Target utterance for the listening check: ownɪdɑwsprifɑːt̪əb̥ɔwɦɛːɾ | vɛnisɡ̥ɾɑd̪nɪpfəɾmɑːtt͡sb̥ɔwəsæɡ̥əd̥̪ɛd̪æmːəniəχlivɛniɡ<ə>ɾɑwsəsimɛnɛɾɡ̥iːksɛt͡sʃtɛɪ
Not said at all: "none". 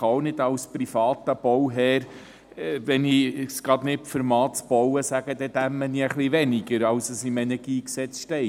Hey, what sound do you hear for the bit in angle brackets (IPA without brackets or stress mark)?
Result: ə